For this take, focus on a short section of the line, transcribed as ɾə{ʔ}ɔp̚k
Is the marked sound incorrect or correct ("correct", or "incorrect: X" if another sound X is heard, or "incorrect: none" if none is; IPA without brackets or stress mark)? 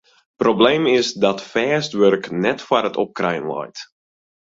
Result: incorrect: t